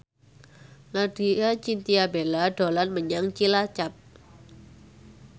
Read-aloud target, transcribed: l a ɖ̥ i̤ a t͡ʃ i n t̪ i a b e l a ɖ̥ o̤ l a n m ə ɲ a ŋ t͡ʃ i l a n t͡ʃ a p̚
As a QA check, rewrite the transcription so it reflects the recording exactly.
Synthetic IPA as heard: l a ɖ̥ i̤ a t͡ʃ i n t̪ i a b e l a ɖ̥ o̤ l a n m ə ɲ a ŋ t͡ʃ i l a t͡ʃ a p̚

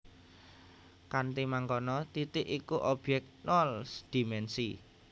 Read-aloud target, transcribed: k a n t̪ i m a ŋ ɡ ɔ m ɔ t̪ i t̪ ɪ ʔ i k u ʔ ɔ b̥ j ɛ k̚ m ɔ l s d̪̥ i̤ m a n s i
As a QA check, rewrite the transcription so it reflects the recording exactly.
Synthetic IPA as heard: k a n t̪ i m a ŋ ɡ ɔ n ɔ t̪ i t̪ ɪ ʔ i k u ʔ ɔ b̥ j ɛ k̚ n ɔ l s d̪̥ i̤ m ɛ n s i

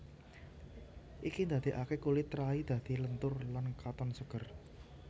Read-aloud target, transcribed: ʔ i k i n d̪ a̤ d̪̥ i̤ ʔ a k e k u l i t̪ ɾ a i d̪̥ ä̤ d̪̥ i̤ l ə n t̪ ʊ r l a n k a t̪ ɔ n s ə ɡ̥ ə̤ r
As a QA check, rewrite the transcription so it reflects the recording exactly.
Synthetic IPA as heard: ʔ i k i n d̪ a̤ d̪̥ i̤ ʔ a k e k u l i t̪ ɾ a i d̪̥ ä̤ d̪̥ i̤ l ə n t̪ ʊ r l a n k a t̪ ɔ n s ə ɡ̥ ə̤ r

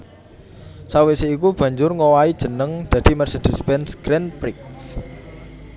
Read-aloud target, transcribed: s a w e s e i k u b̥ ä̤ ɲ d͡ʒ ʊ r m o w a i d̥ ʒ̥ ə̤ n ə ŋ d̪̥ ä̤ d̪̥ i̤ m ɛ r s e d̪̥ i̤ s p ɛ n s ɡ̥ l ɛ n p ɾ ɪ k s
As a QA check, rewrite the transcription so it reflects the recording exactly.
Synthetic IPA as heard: s a w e s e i k u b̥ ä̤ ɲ d͡ʒ ʊ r ŋ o w a i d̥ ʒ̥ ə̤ n ə ŋ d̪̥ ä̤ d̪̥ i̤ m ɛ r s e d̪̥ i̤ s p ɛ n s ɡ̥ ɾ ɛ n p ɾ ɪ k s

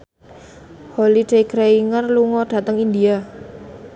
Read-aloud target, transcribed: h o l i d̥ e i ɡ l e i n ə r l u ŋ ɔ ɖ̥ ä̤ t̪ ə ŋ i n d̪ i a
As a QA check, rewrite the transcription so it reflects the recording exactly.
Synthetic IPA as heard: h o l i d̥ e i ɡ ɾ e i ŋ ə r l u ŋ ɔ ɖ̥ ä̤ t̪ ə ŋ i n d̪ i a

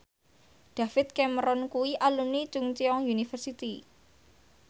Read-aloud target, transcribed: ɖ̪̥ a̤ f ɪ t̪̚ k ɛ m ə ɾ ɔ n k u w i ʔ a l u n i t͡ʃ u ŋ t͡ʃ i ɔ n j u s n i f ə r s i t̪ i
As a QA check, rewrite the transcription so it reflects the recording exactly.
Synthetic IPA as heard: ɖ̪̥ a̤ f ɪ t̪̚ k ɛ m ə ɾ ɔ n k u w i ʔ a l u n i t͡ʃ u ŋ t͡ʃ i ɔ ŋ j u n i f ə r s i t̪ i

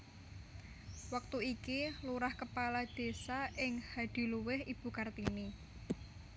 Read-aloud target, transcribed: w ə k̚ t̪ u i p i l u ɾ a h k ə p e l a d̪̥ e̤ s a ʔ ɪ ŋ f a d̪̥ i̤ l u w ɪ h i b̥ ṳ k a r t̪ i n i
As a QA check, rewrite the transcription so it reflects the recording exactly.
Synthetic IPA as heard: w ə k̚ t̪ u i k i l u ɾ a h k ə p a l a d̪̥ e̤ s a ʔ ɪ ŋ h a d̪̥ i̤ l u w ɪ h i b̥ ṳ k a r t̪ i n i

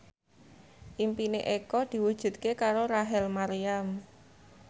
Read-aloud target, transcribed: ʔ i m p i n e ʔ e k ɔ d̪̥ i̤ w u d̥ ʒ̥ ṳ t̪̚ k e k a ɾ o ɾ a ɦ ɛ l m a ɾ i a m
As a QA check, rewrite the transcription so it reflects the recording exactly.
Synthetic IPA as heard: ʔ i m p i n e ʔ e k ɔ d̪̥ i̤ w u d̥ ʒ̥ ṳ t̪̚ k e k a ɾ o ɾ a ɦ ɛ l m a ɾ i a m

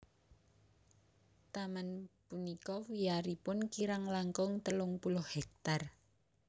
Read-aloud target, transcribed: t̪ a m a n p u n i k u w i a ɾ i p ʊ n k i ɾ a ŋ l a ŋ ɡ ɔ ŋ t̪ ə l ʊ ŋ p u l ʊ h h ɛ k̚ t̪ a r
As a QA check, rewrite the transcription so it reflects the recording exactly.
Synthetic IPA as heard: t̪ a m a n p u n i k ɔ w i a ɾ i p ʊ n k i ɾ a ŋ l a ŋ k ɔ ŋ t̪ ə l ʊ ŋ p u l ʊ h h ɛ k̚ t̪ a r

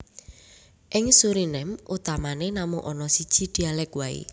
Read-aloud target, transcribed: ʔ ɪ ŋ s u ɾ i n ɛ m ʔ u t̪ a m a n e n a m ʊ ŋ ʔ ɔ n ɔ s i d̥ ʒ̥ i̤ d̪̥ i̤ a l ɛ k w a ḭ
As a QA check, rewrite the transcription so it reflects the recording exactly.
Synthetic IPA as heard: ʔ ɪ ŋ s u ɾ i n ɛ m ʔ u t̪ a m a n e n a m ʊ ŋ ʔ ɔ n ɔ s i d̥ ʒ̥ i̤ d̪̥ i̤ a l ɛ k w a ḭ

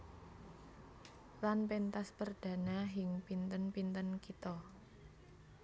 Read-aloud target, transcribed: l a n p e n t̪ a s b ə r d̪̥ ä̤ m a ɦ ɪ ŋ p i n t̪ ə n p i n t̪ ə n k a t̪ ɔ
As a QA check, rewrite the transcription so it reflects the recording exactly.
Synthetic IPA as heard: l a n p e n t̪ a s p ə r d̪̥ ä̤ n a ɦ ɪ ŋ p i n t̪ ə n p i n t̪ ə n k i t̪ ɔ

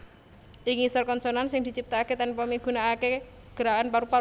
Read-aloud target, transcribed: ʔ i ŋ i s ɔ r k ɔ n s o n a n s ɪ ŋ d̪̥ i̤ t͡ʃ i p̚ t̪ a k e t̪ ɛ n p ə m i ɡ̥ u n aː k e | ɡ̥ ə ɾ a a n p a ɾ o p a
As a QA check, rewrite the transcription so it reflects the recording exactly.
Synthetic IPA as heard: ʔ i ŋ i s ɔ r k ɔ n s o n a n s ɪ ŋ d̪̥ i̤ t͡ʃ i p̚ t̪ a k e t̪ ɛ n p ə m i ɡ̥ u n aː k e | ɡ̥ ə ɾ a a n p a ɾ u p a

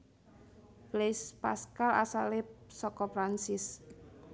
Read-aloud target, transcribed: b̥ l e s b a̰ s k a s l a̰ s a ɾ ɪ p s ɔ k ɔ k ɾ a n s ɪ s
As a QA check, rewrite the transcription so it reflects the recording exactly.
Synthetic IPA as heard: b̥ l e s p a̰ s k a l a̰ s a l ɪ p s ɔ k ɔ p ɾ a n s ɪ s

